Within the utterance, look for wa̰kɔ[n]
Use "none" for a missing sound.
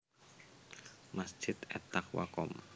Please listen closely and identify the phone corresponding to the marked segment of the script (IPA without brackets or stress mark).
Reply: m